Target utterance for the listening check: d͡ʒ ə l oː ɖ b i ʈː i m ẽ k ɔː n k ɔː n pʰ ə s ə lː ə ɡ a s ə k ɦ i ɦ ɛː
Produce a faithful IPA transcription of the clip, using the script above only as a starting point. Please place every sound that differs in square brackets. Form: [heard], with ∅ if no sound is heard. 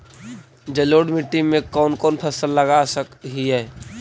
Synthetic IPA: d͡ʒ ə l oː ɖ [m] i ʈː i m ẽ k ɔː n k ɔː n pʰ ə s ə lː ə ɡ a s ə k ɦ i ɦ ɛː